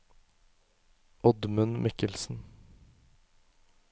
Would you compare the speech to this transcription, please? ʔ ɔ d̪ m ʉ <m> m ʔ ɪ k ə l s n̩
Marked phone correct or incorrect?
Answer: incorrect